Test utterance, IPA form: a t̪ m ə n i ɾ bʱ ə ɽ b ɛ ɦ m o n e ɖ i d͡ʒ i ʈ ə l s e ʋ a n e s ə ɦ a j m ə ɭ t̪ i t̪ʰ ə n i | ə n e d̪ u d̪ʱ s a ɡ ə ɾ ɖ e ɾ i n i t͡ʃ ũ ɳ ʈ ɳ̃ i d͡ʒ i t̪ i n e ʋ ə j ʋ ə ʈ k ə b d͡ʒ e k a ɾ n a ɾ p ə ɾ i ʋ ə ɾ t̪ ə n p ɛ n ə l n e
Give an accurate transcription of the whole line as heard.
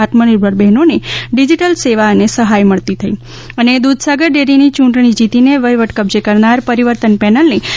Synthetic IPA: a t̪ m ə n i ɾ bʱ ə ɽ b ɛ ɦ n o n e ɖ i d͡ʒ i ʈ ə l s e ʋ a n e s ə ɦ a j m ə ɭ t̪ i t̪ʰ ə i | ə n e d̪ u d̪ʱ s a ɡ ə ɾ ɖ e ɾ i n i t͡ʃ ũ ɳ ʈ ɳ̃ i d͡ʒ i t̪ i n e ʋ ə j ʋ ə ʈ k ə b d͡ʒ e k ə ɾ n a ɾ p ə ɾ i ʋ ə ɾ t̪ ə n p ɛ n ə l n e